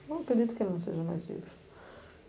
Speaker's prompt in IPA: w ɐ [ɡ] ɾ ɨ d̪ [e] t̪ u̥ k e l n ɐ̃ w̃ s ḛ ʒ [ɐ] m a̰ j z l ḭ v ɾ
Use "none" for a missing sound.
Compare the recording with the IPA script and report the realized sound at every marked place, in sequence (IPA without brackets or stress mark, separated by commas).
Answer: k, i, ɐ